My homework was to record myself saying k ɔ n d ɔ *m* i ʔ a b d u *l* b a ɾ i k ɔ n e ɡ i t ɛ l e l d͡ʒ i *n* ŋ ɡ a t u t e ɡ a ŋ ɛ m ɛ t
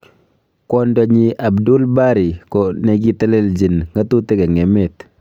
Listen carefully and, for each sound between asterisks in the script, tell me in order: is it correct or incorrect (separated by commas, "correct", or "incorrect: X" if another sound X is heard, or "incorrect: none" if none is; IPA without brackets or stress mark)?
incorrect: ɲ, correct, correct